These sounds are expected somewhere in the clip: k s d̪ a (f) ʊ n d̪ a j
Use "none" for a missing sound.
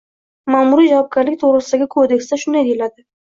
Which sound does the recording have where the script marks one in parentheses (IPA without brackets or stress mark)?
ʃ